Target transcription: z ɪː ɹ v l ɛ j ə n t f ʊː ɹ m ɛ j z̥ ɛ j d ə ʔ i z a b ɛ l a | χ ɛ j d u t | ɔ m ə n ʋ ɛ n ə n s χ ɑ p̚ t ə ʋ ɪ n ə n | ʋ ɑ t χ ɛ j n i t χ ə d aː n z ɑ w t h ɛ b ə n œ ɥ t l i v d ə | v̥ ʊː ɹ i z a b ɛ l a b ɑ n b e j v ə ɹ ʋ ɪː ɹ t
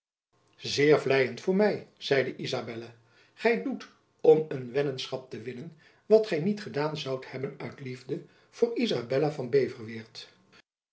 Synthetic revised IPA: z ɪː ɹ v l ɛ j ə n t f ʊː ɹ m ɛ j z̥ ɛ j d ə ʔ i z a b ɛ l a | χ ɛ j d u t | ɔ m ə n ʋ ɛ n ə n s χ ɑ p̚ t ə ʋ ɪ n ə n | ʋ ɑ t χ ɛ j n i t χ ə d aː n z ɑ w t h ɛ b ə n œ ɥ t l i v d ə | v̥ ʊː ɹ i z a b ɛ l a v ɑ n b e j v ə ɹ ʋ ɪː ɹ t